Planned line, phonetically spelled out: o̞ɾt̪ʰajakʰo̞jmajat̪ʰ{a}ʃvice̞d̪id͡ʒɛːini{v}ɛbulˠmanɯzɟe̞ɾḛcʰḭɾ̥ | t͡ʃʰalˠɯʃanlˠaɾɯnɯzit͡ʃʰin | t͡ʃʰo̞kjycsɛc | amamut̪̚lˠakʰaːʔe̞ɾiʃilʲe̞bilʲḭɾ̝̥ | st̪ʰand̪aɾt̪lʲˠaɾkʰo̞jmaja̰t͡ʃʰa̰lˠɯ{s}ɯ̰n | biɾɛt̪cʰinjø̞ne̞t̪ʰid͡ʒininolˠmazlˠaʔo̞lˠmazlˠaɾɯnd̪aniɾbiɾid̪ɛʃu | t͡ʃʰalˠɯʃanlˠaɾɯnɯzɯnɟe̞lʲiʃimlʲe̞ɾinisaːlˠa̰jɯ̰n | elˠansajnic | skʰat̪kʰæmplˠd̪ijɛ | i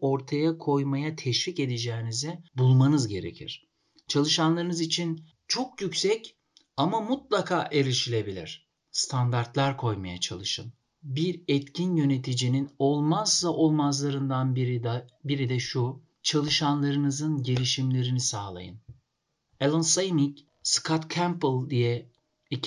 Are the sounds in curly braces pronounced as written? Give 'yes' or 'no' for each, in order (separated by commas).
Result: no, no, no